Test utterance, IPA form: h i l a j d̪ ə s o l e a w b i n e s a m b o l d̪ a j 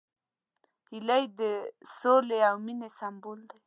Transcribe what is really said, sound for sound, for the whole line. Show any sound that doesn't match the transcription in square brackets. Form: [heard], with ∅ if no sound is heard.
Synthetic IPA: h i l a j d̪ ə s o l e a w [m] i n e s a m b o l d̪ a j